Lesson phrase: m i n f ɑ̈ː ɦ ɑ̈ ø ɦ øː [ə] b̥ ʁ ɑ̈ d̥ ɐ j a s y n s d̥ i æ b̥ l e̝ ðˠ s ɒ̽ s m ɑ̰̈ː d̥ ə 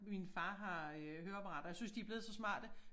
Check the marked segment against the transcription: incorrect: ɐ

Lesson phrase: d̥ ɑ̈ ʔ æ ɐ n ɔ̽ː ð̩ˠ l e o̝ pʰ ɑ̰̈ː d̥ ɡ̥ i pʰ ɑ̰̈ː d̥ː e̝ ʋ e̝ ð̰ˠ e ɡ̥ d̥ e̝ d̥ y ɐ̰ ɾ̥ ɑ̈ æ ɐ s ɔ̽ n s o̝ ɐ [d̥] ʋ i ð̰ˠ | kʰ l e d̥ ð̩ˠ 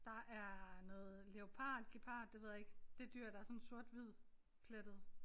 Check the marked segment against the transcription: correct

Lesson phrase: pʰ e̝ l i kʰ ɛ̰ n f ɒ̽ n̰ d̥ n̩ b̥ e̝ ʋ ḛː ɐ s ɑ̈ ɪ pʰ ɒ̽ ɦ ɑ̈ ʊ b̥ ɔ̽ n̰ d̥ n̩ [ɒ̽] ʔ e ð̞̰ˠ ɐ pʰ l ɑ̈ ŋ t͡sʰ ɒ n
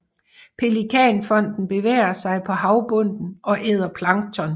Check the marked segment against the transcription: correct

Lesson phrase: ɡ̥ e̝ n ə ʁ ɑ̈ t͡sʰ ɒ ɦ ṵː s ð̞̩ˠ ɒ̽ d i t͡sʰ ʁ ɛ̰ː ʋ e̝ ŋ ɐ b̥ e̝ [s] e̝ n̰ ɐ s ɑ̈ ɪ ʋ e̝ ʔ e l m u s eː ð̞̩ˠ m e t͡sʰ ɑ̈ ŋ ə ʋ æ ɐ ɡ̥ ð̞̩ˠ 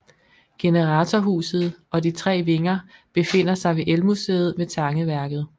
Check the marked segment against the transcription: incorrect: f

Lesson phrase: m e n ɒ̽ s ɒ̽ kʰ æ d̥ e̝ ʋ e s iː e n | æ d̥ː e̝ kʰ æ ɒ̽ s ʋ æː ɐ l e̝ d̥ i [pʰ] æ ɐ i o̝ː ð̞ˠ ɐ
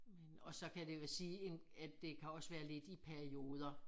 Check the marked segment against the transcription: correct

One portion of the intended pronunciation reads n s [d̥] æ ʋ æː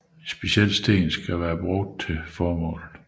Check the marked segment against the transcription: incorrect: ɡ̥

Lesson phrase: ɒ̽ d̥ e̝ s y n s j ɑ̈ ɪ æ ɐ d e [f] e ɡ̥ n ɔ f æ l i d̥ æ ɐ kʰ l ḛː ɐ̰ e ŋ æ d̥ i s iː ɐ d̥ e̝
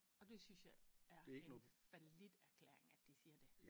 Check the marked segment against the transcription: incorrect: none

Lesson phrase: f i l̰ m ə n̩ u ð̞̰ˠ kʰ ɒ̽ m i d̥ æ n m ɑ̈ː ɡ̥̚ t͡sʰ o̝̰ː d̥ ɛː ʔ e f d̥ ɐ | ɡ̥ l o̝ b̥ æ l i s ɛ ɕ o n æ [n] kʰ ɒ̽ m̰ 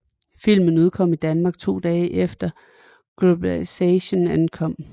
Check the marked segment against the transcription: correct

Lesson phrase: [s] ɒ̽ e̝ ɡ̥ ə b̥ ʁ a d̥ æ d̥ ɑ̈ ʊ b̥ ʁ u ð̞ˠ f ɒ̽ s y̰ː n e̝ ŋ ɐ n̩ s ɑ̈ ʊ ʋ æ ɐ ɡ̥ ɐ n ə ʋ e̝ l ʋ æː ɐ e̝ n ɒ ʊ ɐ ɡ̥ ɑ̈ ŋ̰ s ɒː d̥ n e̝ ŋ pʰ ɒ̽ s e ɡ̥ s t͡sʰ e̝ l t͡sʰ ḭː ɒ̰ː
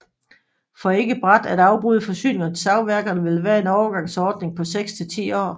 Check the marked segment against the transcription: incorrect: f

